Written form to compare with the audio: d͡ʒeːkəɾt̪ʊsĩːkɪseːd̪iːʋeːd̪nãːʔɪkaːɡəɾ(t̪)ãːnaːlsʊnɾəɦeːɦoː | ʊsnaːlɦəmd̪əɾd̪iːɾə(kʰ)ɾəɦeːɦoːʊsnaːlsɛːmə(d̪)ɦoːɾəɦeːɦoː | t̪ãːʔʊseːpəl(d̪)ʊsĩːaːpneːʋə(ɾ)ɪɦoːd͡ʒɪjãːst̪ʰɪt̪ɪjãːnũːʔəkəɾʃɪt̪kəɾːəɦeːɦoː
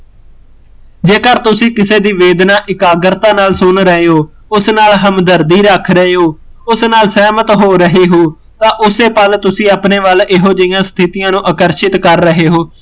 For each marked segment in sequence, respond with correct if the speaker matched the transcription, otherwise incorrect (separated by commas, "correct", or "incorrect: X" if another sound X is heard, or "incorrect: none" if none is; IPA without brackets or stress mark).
correct, correct, incorrect: t̪, incorrect: t̪, incorrect: l